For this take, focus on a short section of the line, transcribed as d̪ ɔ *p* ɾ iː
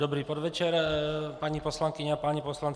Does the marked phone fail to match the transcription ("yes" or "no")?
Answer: yes